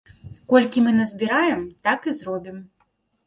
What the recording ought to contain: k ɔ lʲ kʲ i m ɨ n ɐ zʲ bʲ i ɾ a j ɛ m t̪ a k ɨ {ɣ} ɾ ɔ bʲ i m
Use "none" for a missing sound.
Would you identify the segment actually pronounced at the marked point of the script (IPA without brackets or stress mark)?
z